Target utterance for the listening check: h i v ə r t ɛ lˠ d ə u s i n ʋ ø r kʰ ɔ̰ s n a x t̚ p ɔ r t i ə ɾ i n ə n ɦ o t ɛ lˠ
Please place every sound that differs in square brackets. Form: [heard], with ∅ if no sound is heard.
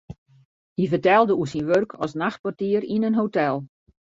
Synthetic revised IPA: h i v ə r t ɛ lˠ d ə u s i n ʋ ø r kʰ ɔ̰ s n a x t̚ p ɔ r t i ə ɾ i n ə n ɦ o t ɛ lˠ